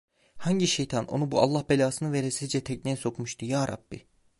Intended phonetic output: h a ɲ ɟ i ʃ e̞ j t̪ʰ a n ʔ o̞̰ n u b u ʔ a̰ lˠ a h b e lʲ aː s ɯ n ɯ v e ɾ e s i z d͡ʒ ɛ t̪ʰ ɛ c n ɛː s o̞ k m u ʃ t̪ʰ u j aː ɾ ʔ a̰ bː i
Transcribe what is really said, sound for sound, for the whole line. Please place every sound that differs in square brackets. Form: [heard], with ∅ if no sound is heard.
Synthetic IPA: h a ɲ ɟ i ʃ e̞ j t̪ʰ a n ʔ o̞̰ n u b u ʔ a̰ [lˠː] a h b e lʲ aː s ɯ n ɯ v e ɾ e s i z d͡ʒ ɛ t̪ʰ ɛ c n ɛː s o̞ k m u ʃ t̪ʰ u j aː ɾ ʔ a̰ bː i

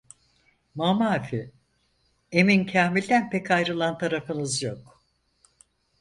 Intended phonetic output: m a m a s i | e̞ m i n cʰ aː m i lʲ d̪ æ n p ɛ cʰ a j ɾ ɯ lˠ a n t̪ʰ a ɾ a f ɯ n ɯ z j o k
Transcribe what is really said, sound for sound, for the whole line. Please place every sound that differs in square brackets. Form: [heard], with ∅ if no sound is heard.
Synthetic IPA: m a m a [f] i | e̞ m i n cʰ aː m i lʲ d̪ æ n p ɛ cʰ a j ɾ ɯ lˠ a n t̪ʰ a ɾ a f ɯ n ɯ z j o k

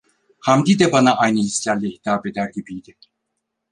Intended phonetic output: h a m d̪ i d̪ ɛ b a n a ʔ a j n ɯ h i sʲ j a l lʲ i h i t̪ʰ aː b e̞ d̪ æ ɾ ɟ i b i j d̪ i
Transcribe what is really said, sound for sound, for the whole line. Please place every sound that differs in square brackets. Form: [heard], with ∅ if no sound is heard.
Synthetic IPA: h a m d̪ i d̪ ɛ b a n a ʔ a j n ɯ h i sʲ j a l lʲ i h i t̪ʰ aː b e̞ d̪ æ ɾ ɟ i b i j d̪ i

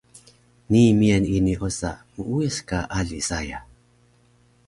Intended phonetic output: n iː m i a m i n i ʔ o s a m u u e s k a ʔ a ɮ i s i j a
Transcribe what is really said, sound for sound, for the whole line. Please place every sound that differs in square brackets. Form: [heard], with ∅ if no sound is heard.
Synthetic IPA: n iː m i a [n] i n i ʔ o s a m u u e s k a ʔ a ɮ i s [a] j a

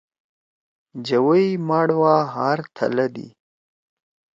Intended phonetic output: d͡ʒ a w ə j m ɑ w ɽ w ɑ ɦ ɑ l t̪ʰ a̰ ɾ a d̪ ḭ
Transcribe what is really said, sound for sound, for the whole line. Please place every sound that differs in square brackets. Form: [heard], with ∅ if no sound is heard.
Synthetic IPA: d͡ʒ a w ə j m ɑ [∅] ɽ w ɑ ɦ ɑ [ɾ] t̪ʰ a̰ [l] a d̪ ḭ

